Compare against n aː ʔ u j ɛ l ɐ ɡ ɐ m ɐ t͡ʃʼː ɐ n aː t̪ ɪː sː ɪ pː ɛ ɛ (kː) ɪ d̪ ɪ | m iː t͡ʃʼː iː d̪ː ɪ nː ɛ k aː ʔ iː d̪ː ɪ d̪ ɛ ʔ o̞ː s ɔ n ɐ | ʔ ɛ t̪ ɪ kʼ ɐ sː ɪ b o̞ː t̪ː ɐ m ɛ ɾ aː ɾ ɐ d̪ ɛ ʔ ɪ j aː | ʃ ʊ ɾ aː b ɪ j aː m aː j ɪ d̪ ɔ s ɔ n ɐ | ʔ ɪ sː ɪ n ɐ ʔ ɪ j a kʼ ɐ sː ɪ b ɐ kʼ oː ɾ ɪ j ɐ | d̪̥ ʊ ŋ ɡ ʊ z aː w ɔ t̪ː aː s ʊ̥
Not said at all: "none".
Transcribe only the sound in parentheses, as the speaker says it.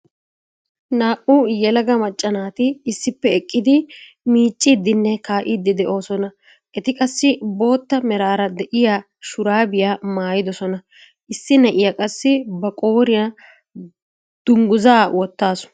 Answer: kʼː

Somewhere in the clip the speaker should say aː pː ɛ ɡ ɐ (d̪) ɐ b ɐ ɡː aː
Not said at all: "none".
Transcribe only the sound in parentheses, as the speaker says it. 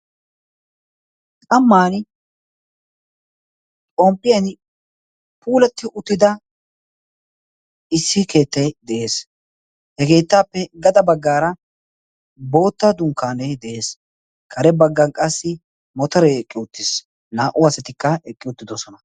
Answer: d̪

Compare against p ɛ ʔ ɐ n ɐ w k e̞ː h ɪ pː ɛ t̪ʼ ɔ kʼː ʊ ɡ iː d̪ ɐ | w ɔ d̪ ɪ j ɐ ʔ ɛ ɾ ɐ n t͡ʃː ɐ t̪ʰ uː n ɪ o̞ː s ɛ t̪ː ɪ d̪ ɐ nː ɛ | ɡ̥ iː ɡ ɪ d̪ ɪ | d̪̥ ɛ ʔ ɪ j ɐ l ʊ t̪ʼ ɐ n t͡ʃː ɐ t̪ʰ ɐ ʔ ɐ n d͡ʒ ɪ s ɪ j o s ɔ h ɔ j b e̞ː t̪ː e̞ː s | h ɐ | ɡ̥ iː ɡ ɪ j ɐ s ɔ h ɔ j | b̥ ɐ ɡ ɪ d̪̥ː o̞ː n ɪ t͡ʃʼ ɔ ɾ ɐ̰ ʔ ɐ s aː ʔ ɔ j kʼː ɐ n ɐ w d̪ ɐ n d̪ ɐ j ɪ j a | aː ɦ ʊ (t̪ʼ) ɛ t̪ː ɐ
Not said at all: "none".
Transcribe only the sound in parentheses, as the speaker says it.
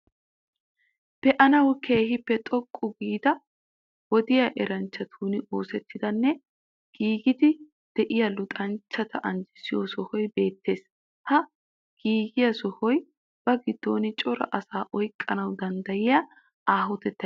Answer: t̪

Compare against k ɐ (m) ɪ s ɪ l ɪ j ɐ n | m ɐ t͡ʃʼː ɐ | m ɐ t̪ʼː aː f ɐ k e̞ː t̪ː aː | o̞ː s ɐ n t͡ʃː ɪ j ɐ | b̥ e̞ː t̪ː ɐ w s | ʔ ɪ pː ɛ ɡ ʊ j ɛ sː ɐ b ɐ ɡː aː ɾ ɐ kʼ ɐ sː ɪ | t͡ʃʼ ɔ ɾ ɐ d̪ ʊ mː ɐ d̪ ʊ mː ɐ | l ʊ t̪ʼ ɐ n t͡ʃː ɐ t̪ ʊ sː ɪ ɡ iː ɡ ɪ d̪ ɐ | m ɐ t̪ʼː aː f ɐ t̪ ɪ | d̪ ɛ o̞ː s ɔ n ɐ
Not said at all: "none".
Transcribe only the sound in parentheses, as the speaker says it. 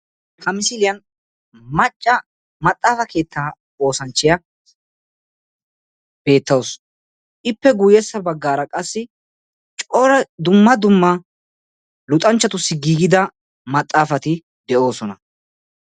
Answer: m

